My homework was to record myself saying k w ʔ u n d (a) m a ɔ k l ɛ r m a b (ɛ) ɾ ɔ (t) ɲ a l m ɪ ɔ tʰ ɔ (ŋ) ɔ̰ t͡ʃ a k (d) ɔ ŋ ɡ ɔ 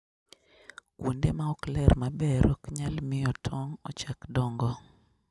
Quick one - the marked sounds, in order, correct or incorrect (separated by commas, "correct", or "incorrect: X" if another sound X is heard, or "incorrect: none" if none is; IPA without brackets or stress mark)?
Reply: incorrect: e, correct, incorrect: k, correct, correct